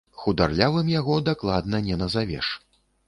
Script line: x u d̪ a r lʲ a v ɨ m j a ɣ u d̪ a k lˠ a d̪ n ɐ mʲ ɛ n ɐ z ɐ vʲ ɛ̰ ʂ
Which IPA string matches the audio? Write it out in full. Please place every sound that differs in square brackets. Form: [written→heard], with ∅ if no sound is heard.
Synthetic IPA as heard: x u d̪ a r lʲ a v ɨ m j a ɣ [u→ɔ] d̪ a k lˠ a d̪ n ɐ [mʲ→nʲ] ɛ n ɐ z [ɐ→a] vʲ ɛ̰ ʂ